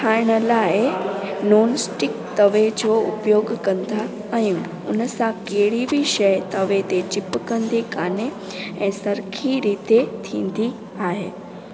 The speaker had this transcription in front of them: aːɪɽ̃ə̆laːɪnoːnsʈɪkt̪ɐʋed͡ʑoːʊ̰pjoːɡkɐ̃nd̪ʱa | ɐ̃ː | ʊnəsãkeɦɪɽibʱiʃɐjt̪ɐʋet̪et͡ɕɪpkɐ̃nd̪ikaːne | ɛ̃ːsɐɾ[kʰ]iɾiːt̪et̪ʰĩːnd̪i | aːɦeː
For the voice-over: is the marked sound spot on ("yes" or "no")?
yes